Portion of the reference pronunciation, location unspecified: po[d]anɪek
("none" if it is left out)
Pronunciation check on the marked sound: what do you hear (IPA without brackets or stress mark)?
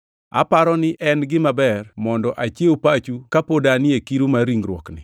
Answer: d